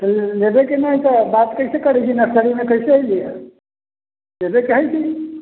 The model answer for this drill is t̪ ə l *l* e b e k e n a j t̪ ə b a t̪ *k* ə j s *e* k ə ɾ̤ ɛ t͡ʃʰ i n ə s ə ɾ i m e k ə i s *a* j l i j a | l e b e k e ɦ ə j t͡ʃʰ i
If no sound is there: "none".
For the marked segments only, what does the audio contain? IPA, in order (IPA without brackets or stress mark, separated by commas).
l, k, e, e